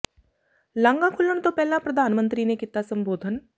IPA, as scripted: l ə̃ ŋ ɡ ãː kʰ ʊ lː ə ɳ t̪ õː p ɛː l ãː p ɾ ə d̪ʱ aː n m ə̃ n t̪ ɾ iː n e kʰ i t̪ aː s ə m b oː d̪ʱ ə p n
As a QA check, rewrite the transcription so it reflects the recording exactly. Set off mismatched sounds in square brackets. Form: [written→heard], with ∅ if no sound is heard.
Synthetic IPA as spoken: l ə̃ ŋ ɡ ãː kʰ ʊ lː ə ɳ t̪ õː p ɛː l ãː p ɾ ə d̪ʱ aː n m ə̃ n t̪ ɾ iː n e [kʰ→k] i t̪ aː s ə m b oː d̪ʱ ə [p→∅] n